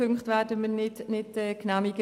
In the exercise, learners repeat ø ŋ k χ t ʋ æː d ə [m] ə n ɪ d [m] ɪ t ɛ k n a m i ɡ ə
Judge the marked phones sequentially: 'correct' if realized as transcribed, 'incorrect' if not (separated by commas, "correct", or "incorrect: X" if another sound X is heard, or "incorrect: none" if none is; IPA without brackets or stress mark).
correct, incorrect: n